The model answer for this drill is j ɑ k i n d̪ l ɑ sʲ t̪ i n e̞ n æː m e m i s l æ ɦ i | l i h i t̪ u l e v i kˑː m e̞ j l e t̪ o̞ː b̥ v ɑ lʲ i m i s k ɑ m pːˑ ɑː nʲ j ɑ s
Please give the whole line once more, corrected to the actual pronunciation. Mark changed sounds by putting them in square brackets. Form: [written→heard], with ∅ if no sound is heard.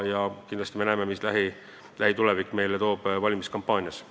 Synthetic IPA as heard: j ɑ k i n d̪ l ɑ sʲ t̪ i [n→m] e̞ n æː m e m i s l æ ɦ i | l [i→æ] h i t̪ u l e v i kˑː m e̞ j l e t̪ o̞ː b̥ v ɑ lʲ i m i s k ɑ m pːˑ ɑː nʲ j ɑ s